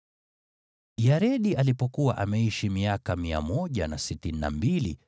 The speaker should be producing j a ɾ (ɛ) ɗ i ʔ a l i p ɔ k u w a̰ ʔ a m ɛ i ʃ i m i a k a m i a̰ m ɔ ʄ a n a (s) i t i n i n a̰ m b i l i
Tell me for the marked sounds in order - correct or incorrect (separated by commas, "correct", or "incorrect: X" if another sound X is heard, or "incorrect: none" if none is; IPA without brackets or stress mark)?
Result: correct, correct